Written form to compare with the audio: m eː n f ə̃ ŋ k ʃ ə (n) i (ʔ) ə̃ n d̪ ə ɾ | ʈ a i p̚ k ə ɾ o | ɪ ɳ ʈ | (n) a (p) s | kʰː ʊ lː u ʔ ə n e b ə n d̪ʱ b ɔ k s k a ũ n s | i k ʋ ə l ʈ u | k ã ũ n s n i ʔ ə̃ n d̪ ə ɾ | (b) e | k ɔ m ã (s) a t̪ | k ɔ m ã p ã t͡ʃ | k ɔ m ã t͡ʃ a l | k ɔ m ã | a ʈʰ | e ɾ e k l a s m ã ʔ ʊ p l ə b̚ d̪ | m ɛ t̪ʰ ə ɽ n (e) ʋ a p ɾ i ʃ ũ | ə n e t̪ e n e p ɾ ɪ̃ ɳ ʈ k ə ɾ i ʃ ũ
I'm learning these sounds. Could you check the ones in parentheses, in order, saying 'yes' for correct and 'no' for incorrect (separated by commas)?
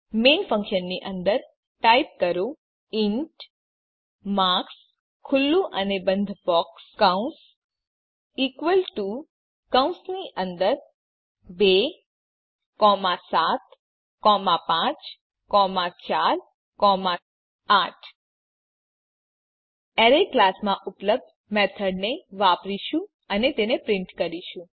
no, yes, no, no, yes, yes, yes